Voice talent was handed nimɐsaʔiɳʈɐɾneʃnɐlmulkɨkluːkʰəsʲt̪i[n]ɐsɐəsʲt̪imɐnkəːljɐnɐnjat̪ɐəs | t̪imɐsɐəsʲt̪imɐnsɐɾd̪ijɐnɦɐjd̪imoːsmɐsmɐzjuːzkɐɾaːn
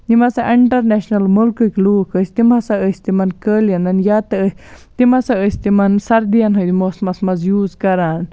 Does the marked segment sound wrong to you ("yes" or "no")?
yes